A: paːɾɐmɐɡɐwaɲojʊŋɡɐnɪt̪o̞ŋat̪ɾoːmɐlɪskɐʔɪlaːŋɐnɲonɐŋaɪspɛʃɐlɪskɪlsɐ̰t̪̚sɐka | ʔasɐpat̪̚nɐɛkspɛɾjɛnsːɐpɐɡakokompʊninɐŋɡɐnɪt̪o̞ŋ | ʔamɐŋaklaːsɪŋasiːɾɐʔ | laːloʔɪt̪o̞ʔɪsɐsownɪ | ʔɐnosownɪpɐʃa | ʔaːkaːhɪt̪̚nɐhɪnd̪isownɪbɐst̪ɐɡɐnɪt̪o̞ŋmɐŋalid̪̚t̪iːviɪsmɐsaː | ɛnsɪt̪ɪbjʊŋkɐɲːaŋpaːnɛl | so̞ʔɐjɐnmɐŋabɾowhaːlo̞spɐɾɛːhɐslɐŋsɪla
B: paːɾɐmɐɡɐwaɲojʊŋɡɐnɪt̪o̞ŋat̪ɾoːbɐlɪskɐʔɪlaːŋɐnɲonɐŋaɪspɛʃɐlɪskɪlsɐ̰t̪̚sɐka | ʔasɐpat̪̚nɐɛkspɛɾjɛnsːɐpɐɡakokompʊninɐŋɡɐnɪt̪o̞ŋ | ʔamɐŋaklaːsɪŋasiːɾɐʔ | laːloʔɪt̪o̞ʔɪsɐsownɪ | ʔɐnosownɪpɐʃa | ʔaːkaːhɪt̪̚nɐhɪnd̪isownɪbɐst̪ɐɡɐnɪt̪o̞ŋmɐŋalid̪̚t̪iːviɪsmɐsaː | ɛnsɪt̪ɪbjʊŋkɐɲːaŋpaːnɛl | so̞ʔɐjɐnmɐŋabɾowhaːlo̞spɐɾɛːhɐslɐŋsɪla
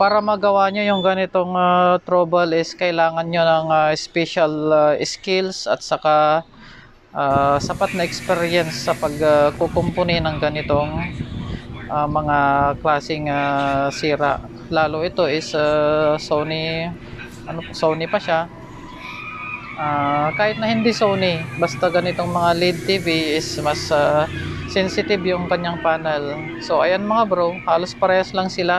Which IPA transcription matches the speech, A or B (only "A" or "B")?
B